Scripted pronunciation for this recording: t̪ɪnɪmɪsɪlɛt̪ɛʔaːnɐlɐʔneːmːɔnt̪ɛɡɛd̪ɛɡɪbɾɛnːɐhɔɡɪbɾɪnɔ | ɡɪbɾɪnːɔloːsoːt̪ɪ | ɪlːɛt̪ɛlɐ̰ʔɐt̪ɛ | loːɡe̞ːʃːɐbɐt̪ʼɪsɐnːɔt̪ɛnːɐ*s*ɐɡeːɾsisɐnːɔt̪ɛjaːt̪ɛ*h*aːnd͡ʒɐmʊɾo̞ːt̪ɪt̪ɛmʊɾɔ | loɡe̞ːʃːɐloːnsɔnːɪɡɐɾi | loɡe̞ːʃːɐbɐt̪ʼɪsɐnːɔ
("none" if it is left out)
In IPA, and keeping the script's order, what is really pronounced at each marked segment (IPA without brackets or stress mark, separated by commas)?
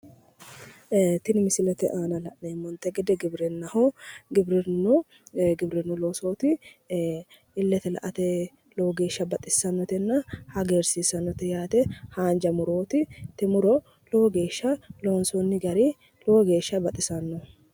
h, h